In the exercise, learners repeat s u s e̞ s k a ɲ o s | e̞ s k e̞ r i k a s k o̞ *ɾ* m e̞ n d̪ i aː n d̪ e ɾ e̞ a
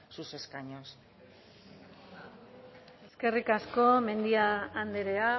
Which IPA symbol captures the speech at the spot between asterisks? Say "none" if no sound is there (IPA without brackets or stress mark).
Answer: none